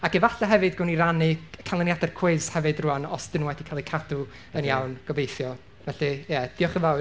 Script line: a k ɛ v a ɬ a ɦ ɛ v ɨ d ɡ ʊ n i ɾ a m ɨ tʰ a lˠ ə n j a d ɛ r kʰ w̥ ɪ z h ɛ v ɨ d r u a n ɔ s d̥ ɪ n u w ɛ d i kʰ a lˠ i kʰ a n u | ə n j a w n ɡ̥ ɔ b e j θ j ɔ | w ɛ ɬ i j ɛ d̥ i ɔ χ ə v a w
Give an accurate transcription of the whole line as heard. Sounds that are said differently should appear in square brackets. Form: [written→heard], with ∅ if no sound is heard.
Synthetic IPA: a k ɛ v a ɬ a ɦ ɛ v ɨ d ɡ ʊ n i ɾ a [m→n] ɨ [tʰ→kʰ] a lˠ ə n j a d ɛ r kʰ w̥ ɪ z h ɛ v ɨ d r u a n ɔ s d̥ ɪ n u w ɛ d i kʰ a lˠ i kʰ a [n→d] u | ə n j a w n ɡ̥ ɔ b e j θ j ɔ | [w→v] ɛ ɬ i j ɛ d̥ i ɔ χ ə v a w